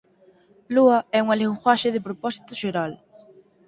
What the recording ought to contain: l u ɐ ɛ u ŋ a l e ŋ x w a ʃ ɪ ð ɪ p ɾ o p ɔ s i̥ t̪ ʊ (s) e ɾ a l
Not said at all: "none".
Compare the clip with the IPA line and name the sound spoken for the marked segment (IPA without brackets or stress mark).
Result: ʃ